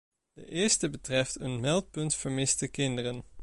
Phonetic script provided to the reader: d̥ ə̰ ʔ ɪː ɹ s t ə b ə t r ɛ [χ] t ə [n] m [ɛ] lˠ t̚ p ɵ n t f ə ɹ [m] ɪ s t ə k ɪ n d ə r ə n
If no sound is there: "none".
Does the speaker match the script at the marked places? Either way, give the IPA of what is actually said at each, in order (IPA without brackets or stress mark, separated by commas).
f, n, ɛ, m